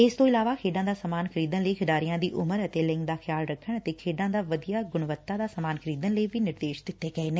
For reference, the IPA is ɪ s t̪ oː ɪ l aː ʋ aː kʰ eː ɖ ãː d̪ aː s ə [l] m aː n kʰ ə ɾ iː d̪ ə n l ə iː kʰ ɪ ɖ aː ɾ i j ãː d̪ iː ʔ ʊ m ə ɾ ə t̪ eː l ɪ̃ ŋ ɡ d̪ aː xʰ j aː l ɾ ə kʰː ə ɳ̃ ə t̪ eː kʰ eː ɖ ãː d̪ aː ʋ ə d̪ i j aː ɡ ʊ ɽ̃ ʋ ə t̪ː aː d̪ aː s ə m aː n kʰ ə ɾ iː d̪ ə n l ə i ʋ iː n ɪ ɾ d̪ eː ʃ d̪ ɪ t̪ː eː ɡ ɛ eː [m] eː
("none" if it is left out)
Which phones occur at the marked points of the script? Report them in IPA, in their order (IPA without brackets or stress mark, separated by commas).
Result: none, n